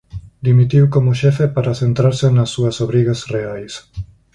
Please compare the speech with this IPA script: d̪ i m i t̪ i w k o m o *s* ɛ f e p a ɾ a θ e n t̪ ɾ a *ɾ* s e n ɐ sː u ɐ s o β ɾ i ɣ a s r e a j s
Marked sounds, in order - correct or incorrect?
incorrect: ʃ, correct

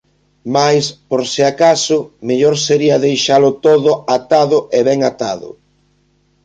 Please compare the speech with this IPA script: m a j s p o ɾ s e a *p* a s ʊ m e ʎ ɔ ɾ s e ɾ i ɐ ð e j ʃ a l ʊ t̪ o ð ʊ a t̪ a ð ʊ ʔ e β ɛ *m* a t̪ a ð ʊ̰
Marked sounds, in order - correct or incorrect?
incorrect: k, incorrect: ŋ

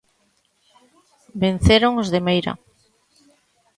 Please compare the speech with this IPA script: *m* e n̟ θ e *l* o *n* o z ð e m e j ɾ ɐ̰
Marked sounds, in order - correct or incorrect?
incorrect: b, incorrect: ɾ, incorrect: ŋ

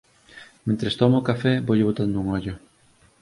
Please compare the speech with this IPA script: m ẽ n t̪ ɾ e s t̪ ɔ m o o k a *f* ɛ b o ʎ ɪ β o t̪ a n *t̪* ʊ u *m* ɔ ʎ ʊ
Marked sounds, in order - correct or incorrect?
correct, incorrect: d̪, incorrect: ŋ

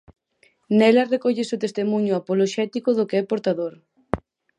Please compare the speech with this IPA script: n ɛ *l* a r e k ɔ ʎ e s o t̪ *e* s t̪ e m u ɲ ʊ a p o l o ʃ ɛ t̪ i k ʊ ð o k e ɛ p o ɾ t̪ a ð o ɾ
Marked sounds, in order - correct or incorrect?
correct, correct

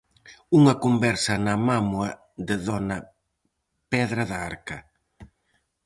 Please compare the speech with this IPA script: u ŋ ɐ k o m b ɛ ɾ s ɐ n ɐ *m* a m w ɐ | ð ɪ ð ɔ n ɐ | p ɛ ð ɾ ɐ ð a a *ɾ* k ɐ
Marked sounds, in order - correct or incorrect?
correct, correct

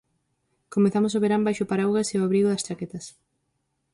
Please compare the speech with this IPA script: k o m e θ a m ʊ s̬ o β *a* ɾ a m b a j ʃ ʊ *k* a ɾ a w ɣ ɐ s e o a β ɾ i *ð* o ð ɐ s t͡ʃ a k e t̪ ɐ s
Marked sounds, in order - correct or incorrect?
incorrect: e, incorrect: p, incorrect: ɣ

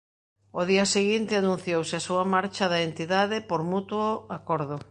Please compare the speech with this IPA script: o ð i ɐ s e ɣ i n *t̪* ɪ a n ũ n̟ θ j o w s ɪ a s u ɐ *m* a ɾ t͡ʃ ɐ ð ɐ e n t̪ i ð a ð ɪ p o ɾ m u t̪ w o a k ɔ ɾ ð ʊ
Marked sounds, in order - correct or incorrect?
correct, correct

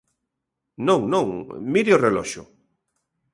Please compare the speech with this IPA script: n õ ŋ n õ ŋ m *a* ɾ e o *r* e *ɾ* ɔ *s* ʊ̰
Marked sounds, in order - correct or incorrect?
incorrect: i, correct, incorrect: l, incorrect: ʃ

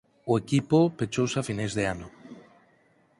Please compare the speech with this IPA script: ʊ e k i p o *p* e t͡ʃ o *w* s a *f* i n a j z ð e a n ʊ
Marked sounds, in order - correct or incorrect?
correct, correct, correct

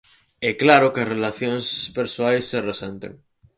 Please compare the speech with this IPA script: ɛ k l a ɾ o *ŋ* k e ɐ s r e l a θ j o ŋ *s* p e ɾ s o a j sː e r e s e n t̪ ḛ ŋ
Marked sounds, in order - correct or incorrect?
incorrect: none, correct

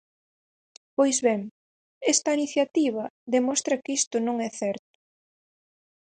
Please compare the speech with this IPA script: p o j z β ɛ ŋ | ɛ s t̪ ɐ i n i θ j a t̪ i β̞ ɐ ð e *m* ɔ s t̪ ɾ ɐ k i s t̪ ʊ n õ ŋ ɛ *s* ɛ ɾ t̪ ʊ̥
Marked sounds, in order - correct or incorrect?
correct, incorrect: θ

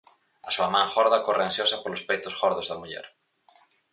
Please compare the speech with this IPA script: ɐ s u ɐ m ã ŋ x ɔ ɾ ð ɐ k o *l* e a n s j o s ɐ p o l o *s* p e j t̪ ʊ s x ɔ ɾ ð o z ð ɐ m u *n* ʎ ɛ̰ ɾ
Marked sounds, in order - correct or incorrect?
incorrect: r, correct, incorrect: none

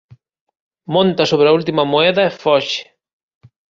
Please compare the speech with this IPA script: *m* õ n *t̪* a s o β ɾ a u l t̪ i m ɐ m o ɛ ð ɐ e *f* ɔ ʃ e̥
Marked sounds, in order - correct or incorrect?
correct, correct, correct

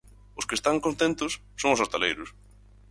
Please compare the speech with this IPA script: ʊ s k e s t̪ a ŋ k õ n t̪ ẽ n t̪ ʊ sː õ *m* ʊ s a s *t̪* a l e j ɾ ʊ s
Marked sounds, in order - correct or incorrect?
incorrect: ŋ, correct

